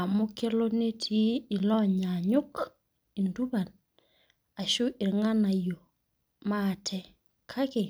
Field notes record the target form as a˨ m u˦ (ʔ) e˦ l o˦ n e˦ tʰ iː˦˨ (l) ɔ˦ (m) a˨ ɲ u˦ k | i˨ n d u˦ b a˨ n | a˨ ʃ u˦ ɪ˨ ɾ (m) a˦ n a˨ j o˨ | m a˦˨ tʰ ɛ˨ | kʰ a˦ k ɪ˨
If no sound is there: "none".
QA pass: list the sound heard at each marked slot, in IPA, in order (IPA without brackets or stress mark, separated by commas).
k, l, ɲ, ŋ